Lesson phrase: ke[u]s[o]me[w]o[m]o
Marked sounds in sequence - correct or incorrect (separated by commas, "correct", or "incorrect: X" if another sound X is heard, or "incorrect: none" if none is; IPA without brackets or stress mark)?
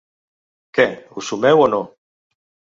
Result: correct, incorrect: u, correct, incorrect: n